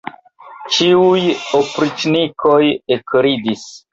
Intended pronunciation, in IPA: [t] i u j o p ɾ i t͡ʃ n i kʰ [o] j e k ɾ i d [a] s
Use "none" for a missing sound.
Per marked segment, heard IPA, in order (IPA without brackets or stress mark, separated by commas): t͡ʃ, o, i